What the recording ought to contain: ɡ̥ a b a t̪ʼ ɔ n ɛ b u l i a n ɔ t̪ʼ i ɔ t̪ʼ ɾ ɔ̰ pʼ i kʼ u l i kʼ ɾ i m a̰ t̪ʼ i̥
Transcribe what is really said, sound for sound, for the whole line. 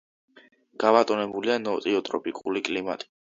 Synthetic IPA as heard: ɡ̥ a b a t̪ʼ ɔ n ɛ b u l i a n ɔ t̪ʼ i ɔ t̪ʼ ɾ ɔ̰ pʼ i kʼ u l i kʼ l i m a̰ t̪ʼ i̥